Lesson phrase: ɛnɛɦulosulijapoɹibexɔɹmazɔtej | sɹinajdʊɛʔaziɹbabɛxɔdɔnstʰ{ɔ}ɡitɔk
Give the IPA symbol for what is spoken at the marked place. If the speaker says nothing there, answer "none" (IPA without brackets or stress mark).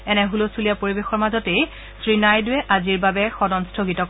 o